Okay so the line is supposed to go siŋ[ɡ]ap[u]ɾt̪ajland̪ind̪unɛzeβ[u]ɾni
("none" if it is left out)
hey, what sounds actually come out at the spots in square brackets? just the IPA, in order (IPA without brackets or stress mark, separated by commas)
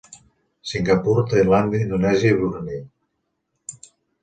ɡ, u, u